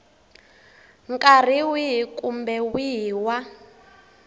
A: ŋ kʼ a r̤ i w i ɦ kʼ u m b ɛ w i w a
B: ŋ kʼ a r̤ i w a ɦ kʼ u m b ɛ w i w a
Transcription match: A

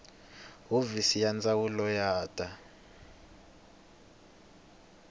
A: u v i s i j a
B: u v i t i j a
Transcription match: A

